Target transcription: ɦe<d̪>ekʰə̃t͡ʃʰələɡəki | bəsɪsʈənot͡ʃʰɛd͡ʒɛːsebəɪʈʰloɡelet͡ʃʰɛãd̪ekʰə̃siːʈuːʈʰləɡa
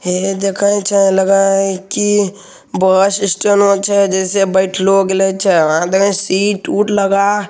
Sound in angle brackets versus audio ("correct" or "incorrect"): correct